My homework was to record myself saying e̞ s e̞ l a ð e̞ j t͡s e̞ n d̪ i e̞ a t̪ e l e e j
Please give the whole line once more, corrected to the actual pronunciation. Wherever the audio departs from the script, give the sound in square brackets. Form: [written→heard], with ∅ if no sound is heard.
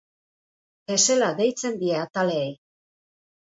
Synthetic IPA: e̞ s e̞ l a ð e̞ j t͡s e̞ n d̪ i e̞ a t̪ [e→a] l e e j